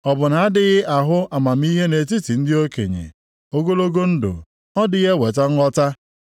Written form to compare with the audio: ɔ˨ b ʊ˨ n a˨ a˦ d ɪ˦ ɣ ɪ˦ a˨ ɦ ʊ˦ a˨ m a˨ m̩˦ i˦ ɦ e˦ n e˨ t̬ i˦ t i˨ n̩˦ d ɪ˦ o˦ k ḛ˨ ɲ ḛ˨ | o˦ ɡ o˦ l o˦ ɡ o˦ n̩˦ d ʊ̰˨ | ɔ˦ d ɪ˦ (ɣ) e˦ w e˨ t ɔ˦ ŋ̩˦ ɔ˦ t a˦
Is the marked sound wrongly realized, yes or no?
no